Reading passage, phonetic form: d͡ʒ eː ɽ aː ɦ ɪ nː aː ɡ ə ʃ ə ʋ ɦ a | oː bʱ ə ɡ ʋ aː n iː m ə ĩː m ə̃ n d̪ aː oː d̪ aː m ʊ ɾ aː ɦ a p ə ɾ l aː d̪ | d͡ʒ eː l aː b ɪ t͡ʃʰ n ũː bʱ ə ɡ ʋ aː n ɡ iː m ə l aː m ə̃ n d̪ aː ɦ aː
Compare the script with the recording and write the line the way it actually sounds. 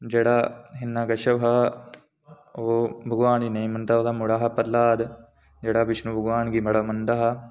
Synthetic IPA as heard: d͡ʒ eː ɽ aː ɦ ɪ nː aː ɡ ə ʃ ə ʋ ɦ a | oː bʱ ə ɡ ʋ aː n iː n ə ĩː m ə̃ n d̪ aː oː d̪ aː m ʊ ɽ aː ɦ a p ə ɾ l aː d̪ | d͡ʒ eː ɽ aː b ɪ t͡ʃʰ n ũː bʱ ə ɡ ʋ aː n ɡ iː m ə ɽ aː m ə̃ n d̪ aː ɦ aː